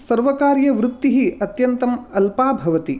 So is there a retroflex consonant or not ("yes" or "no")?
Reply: no